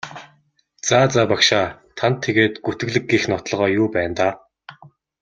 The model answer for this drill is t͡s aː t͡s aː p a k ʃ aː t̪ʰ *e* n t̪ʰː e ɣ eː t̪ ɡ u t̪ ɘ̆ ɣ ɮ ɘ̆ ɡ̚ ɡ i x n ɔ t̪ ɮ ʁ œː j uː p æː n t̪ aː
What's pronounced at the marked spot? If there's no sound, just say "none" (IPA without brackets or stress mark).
a